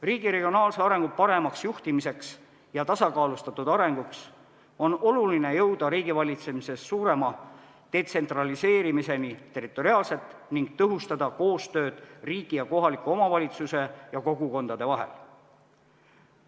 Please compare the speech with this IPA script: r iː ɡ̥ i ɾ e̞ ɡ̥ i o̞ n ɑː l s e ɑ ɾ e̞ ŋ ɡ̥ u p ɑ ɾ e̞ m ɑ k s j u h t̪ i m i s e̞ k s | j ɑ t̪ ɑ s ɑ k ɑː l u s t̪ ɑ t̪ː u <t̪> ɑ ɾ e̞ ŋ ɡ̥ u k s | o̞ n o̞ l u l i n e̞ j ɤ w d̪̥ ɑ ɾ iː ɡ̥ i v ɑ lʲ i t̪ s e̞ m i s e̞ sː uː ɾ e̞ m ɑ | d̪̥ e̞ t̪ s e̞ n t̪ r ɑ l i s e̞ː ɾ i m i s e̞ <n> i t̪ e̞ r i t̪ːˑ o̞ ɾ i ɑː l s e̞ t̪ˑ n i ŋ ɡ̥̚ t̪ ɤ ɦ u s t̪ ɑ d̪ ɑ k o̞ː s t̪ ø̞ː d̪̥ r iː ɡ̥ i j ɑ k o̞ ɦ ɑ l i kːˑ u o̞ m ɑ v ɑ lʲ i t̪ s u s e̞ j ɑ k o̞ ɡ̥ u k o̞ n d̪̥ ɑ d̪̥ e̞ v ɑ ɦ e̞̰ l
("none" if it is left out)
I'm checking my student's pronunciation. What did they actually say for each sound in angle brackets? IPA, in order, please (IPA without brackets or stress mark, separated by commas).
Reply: d̪, n